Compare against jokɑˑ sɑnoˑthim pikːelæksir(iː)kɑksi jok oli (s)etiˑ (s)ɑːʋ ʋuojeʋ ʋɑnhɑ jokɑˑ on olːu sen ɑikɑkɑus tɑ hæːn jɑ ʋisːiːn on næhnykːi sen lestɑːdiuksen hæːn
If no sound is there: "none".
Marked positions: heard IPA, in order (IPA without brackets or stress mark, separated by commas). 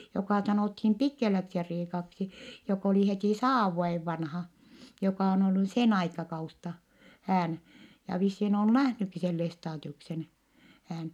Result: iː, h, s